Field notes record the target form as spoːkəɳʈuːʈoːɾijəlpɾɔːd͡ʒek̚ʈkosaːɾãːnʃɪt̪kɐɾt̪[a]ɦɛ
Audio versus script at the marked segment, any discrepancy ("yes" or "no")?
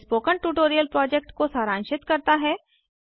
no